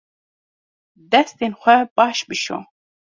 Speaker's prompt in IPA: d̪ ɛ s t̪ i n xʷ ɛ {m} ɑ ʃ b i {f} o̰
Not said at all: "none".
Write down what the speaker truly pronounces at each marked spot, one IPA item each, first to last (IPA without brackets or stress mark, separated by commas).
b, ʃ